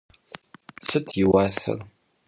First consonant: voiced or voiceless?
voiceless